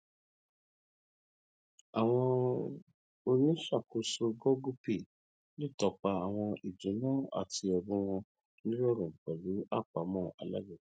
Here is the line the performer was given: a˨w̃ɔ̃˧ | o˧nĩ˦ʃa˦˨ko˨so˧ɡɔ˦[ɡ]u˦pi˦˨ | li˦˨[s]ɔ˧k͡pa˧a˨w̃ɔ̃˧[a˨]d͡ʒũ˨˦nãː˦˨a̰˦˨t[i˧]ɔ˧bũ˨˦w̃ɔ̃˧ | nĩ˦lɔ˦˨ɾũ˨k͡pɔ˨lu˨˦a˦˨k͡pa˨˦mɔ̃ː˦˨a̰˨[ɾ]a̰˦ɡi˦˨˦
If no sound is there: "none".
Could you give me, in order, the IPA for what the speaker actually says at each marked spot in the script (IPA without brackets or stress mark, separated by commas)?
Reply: ɡ, t, i˨, i˧, l